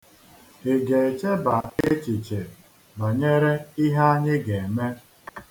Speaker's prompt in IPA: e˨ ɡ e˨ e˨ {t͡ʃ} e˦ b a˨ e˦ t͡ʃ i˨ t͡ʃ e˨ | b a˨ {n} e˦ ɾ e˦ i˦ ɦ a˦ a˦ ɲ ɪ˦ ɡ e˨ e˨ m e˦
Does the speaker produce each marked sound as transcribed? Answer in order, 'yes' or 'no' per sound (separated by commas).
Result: yes, no